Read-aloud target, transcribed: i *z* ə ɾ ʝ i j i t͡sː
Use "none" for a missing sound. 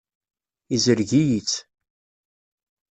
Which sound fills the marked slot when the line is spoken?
z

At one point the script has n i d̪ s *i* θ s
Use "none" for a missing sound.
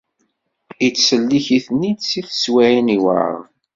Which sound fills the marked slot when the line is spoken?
i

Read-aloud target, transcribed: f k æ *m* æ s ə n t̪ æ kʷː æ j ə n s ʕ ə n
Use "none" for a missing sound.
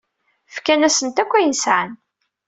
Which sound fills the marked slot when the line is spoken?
n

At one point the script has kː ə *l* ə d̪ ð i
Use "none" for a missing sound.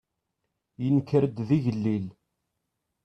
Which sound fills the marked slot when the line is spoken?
ɾ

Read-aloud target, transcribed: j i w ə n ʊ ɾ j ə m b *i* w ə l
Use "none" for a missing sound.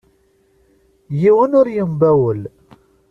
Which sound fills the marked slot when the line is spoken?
æ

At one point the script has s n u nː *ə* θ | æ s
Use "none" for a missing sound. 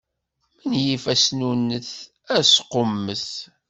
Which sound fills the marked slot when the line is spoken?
ə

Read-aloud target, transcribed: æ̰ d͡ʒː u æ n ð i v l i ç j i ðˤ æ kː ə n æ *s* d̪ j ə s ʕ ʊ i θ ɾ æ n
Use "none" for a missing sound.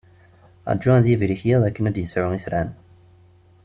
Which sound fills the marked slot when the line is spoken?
none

